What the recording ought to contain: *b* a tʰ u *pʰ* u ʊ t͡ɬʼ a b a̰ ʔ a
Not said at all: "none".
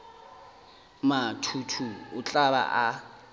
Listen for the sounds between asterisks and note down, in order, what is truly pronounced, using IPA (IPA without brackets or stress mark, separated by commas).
m, tʰ